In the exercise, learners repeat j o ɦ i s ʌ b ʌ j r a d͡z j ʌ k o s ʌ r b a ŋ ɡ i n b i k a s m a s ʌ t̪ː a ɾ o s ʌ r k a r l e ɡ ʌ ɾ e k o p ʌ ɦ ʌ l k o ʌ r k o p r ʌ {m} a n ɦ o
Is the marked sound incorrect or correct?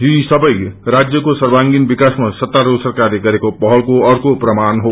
correct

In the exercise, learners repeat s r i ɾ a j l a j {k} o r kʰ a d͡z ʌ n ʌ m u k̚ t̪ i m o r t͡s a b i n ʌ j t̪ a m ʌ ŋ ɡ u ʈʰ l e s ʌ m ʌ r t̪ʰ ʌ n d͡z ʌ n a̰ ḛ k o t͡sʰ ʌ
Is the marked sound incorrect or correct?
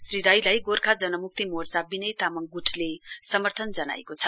incorrect: ɡ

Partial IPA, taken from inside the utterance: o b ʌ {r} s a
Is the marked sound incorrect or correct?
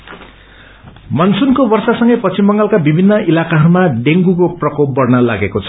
correct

